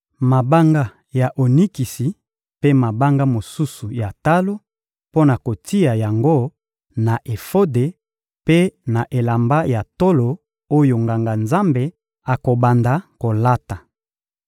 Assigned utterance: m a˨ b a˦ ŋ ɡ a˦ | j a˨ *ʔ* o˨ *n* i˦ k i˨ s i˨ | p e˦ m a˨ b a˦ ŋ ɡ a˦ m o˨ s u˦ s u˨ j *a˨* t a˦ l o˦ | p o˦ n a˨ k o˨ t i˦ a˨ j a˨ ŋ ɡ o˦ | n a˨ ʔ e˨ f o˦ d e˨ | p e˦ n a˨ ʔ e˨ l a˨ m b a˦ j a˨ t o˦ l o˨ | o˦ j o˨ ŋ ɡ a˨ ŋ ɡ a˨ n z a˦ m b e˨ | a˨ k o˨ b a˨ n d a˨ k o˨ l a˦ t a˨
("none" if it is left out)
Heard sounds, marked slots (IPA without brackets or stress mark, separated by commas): ʔ, n, a˨